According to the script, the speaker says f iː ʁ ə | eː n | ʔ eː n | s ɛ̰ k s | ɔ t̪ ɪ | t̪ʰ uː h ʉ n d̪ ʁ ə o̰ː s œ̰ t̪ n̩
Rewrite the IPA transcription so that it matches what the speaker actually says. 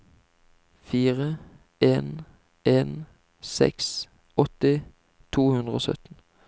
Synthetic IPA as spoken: f iː ʁ ə | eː n | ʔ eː n | s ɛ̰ k s | ɔ t̪ ɪ | t̪ʰ uː h ʉ n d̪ ʁ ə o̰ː s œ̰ t̪ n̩